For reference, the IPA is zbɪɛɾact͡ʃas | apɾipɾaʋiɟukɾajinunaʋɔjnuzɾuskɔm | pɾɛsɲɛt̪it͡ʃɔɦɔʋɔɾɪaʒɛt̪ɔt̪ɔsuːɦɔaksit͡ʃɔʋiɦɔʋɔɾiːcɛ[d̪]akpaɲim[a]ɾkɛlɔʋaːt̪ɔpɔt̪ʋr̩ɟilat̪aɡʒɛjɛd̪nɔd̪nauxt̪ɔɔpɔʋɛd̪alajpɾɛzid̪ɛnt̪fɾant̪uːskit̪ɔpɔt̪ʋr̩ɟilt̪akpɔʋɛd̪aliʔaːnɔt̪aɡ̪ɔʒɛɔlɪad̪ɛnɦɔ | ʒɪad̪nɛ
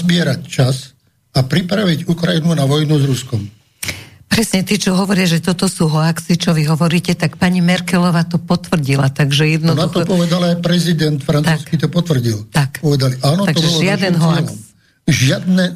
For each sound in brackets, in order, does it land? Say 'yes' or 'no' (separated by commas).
no, no